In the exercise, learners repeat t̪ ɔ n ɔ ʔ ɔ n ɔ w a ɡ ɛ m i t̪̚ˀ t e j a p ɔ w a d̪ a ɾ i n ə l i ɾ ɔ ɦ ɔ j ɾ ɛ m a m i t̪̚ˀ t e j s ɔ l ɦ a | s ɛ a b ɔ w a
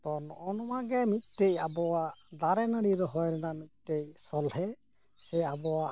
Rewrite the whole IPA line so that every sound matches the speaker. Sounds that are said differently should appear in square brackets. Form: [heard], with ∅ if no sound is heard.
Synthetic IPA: t̪ ɔ n ɔ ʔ ɔ n ɔ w a ɡ ɛ m i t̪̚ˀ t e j a [b] ɔ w a d̪ a ɾ [ɛ] n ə [ɽ] i ɾ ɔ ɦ ɔ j ɾ ɛ [n] a m i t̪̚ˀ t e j s ɔ l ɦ [ɛ] | s ɛ a b ɔ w a